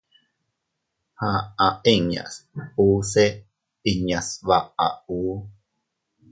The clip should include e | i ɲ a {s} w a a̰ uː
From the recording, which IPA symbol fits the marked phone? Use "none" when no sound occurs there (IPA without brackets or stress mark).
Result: s